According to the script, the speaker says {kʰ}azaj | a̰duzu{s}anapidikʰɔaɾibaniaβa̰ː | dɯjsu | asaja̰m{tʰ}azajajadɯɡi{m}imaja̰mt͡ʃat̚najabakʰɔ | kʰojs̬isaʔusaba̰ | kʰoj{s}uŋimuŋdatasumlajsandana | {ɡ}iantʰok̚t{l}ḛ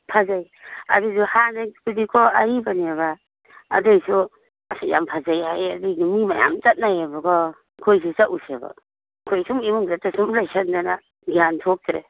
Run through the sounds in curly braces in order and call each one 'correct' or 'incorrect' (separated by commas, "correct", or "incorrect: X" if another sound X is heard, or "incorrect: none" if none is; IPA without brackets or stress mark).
incorrect: pʰ, incorrect: h, incorrect: pʰ, correct, correct, correct, incorrect: ɾ